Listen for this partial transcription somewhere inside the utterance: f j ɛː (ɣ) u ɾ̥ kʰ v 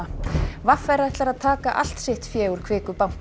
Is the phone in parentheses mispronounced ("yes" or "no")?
no